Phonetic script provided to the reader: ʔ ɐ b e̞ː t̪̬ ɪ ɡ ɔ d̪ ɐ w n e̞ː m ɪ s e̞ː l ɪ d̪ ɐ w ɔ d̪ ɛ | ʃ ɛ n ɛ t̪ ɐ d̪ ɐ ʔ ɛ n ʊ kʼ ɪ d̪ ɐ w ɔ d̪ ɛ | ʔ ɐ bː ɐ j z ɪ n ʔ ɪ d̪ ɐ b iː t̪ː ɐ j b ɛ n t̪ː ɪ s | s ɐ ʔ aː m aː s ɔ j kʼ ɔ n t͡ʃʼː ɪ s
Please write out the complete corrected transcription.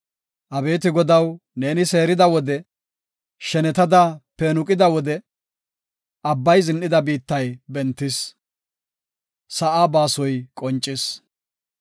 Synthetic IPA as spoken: ʔ ɐ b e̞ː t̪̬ ɪ ɡ ɔ d̪ ɐ w n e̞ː n ɪ s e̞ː ɾ ɪ d̪ ɐ w ɔ d̪ ɛ | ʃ ɛ n ɛ t̪ ɐ d̪ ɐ p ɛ n ʊ kʼ ɪ d̪ ɐ w ɔ d̪ ɛ | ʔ ɐ bː ɐ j z ɪ n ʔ ɪ d̪ ɐ b iː t̪ː ɐ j b ɛ n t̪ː ɪ s | s ɐ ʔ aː b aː s ɔ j kʼ ɔ n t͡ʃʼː ɪ s